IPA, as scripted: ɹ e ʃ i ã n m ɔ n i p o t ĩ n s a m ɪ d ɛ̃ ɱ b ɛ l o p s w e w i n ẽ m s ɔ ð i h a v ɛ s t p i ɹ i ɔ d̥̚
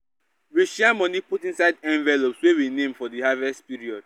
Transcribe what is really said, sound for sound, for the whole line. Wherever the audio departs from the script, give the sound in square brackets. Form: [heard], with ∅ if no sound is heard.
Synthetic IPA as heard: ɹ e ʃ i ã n m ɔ n i p [u] t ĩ n s a [∅] ɪ d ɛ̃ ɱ [v] ɛ l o p s w e w i n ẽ m [f] ɔ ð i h a v ɛ s t p i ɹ i ɔ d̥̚

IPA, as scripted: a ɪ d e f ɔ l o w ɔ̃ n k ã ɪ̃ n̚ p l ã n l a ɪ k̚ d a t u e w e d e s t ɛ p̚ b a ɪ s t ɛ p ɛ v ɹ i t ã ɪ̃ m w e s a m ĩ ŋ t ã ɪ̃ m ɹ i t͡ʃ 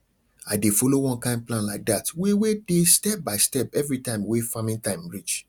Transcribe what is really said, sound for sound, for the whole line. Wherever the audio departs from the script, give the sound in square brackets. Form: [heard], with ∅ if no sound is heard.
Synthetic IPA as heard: a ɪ d e f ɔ l o w ɔ̃ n k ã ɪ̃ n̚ p l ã n l a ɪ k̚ d a t [w] e w e d e s t ɛ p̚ b a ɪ s t ɛ p ɛ v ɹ i t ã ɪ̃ m w e [f] a m ĩ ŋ t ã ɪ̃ m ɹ i t͡ʃ

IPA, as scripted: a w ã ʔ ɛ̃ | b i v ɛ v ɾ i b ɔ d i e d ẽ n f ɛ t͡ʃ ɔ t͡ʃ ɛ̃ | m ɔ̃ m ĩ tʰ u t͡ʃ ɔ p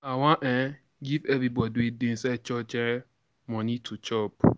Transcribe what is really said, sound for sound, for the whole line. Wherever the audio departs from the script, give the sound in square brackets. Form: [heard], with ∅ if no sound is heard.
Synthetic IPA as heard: a w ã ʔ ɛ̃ | [ɡ] i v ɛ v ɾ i b ɔ d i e d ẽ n [s] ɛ t͡ʃ ɔ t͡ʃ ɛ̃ | m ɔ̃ [n] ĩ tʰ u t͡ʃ ɔ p

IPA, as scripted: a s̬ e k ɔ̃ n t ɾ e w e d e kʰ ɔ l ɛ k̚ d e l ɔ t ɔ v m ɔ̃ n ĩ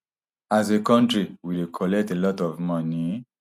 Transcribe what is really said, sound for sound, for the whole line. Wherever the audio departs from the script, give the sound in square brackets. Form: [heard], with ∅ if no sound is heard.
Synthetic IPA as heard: a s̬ e k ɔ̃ n t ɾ [i] w [i] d e kʰ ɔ l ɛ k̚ [t] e l ɔ t ɔ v m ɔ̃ n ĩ

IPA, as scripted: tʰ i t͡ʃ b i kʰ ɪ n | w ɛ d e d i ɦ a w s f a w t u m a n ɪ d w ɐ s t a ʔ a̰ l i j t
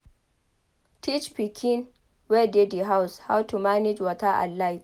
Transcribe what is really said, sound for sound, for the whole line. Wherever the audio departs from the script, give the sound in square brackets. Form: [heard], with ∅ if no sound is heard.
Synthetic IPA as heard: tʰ i t͡ʃ [p] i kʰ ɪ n | w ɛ d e d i ɦ a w s [h] a w t u m a n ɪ [d͡ʒ] w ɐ [∅] t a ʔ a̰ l [a] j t

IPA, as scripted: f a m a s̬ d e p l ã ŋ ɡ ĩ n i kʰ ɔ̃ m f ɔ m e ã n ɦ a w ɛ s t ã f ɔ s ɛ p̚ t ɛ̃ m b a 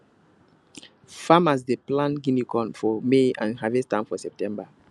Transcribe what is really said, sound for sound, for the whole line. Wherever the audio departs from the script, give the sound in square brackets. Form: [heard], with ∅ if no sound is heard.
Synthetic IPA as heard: f a m a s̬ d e p l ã [n] ɡ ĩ n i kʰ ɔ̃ [n] f ɔ m e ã n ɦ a [v] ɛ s t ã f ɔ s ɛ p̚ t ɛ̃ m b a

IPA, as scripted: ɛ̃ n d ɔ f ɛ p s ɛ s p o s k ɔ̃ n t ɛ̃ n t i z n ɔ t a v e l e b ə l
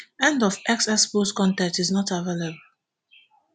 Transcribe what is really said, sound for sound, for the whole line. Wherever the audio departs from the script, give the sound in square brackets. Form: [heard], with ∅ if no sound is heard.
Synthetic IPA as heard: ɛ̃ n d ɔ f ɛ [k] s ɛ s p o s k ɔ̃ n t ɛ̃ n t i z n ɔ t a v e l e b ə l

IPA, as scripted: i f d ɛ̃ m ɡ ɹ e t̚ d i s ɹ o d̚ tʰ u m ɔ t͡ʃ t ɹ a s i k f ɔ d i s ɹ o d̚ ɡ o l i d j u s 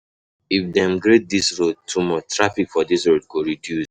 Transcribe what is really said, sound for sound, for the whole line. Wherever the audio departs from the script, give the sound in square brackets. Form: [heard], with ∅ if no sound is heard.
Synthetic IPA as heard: i f d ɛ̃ m ɡ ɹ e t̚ d i s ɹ o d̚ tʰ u m ɔ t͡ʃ t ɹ a [f] i k f ɔ d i s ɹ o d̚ ɡ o [ɹ] i d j u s

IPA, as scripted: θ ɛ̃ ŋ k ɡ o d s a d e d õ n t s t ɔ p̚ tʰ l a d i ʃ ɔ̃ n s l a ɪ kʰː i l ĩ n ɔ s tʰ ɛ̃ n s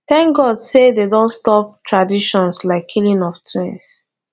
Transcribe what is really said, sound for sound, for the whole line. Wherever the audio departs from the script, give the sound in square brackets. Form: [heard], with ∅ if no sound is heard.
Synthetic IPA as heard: θ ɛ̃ ŋ k ɡ [ɔ] d s [e] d e d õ n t s t ɔ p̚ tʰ [ɹ] a d i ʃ ɔ̃ n s l a ɪ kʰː i l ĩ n ɔ [f] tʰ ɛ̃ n s

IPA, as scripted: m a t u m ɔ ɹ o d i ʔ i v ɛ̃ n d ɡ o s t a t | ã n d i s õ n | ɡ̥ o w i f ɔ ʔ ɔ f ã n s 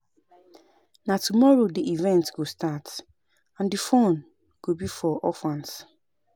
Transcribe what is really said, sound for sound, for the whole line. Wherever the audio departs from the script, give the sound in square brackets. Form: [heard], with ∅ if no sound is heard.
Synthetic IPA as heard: [n] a t u m ɔ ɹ o d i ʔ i v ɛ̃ n [t] ɡ o s t a t | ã n d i [f] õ n | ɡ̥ o [b] i f ɔ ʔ ɔ f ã n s

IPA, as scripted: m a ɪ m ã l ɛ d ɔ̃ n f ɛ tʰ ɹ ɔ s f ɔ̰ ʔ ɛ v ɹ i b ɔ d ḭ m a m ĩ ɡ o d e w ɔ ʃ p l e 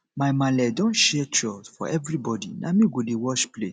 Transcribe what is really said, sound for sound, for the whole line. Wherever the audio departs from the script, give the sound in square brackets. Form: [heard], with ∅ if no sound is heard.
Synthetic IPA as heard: m a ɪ m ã l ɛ d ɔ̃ n [ʃ] ɛ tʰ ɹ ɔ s f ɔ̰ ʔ ɛ v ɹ i b ɔ d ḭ [n] a m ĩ ɡ o d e w ɔ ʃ p l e

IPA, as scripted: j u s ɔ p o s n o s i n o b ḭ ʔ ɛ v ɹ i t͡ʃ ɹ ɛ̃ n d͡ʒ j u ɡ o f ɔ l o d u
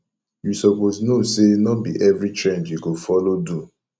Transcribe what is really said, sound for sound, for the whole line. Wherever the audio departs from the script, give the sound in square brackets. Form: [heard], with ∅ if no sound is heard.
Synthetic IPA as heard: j u s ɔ p o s n o s [e] n [ɔ] b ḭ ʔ ɛ v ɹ i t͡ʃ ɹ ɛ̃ n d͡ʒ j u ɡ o f ɔ l o d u

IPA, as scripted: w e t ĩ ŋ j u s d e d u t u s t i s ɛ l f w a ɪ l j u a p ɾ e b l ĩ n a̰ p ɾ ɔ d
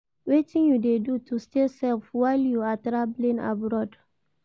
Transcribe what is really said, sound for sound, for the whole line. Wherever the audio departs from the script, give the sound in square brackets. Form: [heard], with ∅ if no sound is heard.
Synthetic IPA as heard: w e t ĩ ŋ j u [∅] d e d u t u s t [e] s ɛ l f w a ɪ l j u a [t] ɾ [a] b l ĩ n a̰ [b] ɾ ɔ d

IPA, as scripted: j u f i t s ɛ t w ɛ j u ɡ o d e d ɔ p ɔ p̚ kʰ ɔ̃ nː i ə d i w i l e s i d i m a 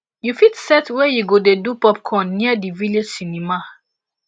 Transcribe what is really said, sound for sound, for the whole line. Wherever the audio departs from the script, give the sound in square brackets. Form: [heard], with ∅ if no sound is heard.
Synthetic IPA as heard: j u f i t s ɛ t w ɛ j u ɡ o d e d [u] p ɔ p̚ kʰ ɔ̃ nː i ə d i [v] i l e s i [n] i m a

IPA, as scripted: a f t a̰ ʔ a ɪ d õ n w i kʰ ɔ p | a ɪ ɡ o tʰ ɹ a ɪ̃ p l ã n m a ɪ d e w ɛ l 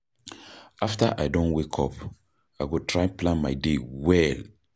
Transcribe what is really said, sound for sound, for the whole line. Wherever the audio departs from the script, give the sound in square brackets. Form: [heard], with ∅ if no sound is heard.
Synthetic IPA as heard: a f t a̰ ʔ a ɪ d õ n w [e] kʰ ɔ p | a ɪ ɡ o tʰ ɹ a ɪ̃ p l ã n m a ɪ d e w ɛ l

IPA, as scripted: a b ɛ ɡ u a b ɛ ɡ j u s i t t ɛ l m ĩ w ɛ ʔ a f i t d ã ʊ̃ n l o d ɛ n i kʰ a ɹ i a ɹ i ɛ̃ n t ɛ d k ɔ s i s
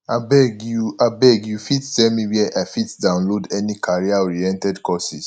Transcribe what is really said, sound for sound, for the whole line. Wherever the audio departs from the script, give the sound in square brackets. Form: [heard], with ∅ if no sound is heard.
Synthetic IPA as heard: a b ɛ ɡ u a b ɛ ɡ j u [f] i t t ɛ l m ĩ w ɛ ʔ a f i t d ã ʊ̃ n l o d ɛ n i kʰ a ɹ i a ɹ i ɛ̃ n t ɛ d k ɔ s i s

